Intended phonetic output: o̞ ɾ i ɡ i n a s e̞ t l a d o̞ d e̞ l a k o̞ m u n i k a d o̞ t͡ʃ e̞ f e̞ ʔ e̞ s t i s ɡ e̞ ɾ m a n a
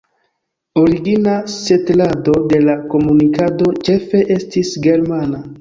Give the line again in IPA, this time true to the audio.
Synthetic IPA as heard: o̞ ɾ i ɡ i n a s e̞ t l a d o̞ d e̞ l a k o̞ m u n i k a d o̞ t͡ʃ e̞ f e̞ ʔ e̞ s t i s ɡ e̞ ɾ m a n a

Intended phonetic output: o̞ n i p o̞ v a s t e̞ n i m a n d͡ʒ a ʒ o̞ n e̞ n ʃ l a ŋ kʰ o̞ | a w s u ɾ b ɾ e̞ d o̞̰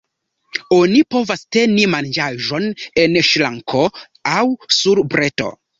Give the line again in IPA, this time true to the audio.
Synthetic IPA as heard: o̞ n i p o̞ v a s t e̞ n i m a n d͡ʒ a ʒ o̞ n e̞ n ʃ l a ŋ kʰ o̞ | a w s u ɾ b ɾ e̞ t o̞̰

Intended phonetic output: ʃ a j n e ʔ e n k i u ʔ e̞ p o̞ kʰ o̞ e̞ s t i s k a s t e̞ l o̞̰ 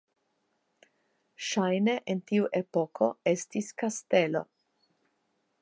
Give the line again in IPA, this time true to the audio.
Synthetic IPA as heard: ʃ a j n e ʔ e n t i u ʔ e̞ p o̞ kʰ o̞ e̞ s t i s k a s t e̞ l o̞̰

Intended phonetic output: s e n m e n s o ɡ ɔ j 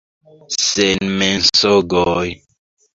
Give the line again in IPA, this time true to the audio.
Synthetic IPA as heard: s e n m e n s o ɡ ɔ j

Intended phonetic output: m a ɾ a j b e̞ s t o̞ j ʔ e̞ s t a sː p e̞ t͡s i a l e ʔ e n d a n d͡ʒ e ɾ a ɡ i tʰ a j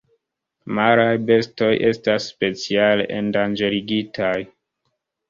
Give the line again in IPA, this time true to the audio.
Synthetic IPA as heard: m a ɾ a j b e̞ s t o̞ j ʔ e̞ s t a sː p e̞ t͡s i a l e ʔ e n d a n d͡ʒ e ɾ i ɡ i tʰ a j

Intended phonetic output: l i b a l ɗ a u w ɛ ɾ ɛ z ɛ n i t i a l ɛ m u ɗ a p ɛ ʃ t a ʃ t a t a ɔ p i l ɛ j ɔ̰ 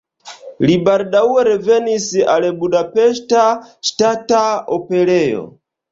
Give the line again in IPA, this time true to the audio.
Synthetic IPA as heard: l i b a ɾ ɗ a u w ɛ ɾ ɛ v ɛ n i s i a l ɛ b u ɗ a p ɛ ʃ t a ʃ t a t a ɔ p ɛ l ɛ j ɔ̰

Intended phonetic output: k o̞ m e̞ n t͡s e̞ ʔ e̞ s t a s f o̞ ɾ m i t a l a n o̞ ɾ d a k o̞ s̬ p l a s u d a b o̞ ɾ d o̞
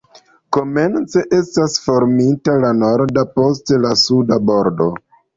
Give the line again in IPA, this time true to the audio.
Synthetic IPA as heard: k o̞ m e̞ n t͡s e̞ ʔ e̞ s t a s f o̞ ɾ m i t a l a n o̞ ɾ d a p o̞ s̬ t l a s u d a b o̞ ɾ d o̞

